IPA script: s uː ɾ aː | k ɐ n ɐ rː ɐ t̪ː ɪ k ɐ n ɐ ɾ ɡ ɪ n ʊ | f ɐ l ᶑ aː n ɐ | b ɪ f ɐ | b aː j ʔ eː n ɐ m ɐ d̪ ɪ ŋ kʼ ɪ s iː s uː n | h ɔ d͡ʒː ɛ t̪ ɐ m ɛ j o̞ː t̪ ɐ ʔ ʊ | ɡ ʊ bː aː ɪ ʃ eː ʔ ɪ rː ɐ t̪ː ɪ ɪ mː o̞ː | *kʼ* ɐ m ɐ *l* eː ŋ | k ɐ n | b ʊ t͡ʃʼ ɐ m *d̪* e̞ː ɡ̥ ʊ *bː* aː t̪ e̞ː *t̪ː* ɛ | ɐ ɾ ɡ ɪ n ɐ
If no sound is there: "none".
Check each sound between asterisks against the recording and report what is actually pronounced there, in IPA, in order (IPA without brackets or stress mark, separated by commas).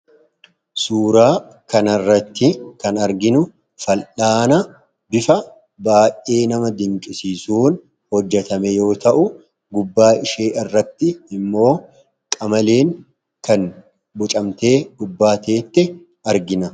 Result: kʼ, l, t̪, bː, t̪ː